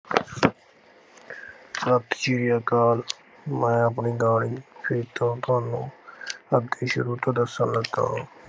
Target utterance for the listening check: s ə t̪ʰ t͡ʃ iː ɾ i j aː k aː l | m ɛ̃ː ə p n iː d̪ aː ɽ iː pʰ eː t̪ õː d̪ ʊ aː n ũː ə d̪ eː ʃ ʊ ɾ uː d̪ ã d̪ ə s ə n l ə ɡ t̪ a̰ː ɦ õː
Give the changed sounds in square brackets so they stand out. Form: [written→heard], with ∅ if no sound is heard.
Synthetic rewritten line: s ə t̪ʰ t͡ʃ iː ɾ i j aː k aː l | m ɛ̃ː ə p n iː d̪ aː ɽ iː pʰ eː t̪ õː [d̪→t̪] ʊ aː n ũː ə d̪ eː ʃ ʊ ɾ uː [d̪→t̪] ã d̪ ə s ə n l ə ɡ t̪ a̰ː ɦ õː

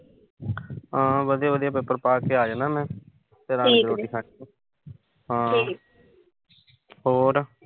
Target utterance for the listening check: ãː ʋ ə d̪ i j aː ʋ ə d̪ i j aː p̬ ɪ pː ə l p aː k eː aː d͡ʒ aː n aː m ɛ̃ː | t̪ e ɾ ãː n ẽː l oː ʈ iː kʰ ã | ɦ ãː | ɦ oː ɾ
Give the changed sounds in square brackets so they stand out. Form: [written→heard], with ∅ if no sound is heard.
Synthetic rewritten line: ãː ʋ ə d̪ i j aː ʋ ə d̪ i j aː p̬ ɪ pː ə [l→ɾ] p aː k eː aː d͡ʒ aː n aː m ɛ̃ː | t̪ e ɾ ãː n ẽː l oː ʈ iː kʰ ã | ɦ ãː | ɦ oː ɾ

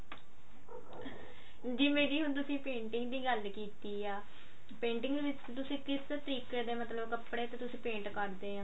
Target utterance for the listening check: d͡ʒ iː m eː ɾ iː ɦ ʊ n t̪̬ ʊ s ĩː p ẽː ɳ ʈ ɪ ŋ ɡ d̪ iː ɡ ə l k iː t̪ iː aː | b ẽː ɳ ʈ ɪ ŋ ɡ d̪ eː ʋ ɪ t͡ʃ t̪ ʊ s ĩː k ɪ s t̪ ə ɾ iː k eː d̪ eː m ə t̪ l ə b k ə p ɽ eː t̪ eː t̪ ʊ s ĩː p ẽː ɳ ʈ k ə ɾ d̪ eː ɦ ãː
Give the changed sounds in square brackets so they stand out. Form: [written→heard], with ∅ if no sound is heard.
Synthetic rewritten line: d͡ʒ iː m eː ɾ iː ɦ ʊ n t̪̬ ʊ s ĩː p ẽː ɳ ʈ ɪ ŋ ɡ d̪ iː ɡ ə l k iː t̪ iː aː | [b→p] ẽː ɳ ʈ ɪ ŋ ɡ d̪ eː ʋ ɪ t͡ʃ t̪ ʊ s ĩː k ɪ s t̪ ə ɾ iː k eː d̪ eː m ə t̪ l ə b k ə p ɽ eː t̪ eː t̪ ʊ s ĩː p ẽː ɳ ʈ k ə ɾ d̪ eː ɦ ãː

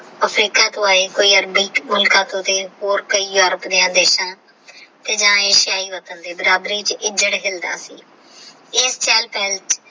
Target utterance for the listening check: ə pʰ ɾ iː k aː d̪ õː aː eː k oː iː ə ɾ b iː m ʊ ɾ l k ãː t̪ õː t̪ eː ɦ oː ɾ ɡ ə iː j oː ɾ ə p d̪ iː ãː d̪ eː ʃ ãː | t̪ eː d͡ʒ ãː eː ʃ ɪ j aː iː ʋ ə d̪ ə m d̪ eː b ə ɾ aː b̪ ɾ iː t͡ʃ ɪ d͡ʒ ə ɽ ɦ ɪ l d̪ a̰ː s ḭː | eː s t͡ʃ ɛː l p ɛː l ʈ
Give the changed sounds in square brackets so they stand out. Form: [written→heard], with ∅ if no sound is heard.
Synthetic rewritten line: ə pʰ ɾ iː k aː [d̪→t̪] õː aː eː k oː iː ə ɾ b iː m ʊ [ɾ→∅] l k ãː t̪ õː t̪ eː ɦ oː ɾ [ɡ→k] ə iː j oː ɾ ə p d̪ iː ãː d̪ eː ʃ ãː | t̪ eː d͡ʒ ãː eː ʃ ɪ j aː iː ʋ ə [d̪→t̪] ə [m→n] d̪ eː b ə ɾ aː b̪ ɾ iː t͡ʃ ɪ d͡ʒ ə ɽ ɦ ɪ l d̪ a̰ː s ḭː | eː s t͡ʃ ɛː l p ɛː l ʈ

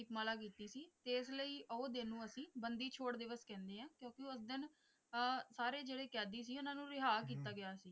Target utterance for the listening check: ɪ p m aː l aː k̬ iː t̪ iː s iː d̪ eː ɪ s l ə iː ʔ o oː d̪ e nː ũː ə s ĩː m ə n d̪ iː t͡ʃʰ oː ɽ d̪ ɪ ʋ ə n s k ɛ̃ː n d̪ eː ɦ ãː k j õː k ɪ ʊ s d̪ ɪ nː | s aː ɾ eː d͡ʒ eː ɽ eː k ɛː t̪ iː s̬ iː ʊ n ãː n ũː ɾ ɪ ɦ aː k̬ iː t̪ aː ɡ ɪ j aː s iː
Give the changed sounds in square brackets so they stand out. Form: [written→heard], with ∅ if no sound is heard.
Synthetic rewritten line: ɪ p m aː l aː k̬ iː t̪ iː s iː [d̪→t̪] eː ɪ s l ə iː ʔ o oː d̪ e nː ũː ə s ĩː [m→b] ə n d̪ iː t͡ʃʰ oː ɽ d̪ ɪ ʋ ə [n→∅] s k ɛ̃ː n d̪ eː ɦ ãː k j õː k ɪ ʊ s d̪ ɪ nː | s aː ɾ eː d͡ʒ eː ɽ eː k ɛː [t̪→d̪] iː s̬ iː ʊ n ãː n ũː ɾ ɪ ɦ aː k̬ iː t̪ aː ɡ ɪ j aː s iː

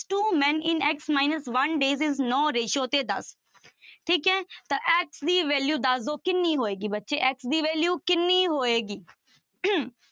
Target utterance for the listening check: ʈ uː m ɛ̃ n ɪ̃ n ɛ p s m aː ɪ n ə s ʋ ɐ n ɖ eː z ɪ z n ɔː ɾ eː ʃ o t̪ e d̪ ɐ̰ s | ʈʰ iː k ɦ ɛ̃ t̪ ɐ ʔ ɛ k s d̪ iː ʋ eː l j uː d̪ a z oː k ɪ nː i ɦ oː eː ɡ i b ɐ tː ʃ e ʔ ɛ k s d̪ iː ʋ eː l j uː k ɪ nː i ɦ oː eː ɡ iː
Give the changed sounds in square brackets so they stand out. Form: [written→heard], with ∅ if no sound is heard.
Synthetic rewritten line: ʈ uː m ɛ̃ n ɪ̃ n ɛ [p→k] s m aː ɪ n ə s ʋ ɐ n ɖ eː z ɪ z n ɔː ɾ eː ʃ o t̪ e d̪ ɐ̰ s | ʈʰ iː k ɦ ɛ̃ t̪ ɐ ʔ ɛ k s d̪ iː ʋ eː l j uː d̪ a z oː k ɪ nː i ɦ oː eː ɡ i b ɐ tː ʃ e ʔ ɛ k s d̪ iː ʋ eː l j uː k ɪ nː i ɦ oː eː ɡ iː

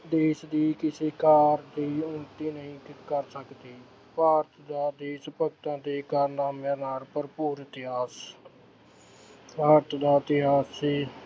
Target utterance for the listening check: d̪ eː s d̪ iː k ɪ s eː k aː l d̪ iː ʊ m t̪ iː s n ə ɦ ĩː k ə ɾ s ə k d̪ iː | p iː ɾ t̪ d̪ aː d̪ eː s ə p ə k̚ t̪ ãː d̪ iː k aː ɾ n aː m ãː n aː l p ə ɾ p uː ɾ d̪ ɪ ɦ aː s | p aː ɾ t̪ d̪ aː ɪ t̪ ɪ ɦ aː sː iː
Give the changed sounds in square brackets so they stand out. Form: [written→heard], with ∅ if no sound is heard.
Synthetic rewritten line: d̪ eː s d̪ iː k ɪ s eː k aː [l→ɾ] d̪ iː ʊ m t̪ iː [s→∅] n ə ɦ ĩː k ə ɾ s ə k d̪ iː | p [iː→aː] ɾ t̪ d̪ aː d̪ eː s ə p ə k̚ t̪ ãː d̪ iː k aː ɾ n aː m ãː n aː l p ə ɾ p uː ɾ [d̪→t̪] ɪ ɦ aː s | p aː ɾ t̪ d̪ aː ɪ t̪ ɪ ɦ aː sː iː

